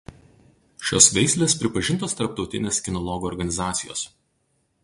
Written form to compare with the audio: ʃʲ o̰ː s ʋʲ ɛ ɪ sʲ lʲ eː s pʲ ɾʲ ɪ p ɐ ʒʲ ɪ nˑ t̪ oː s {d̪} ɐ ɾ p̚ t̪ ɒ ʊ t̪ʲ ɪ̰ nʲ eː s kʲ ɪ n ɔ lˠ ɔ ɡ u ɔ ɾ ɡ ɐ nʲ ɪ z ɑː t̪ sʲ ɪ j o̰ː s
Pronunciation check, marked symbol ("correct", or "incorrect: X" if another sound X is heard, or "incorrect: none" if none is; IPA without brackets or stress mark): incorrect: t̪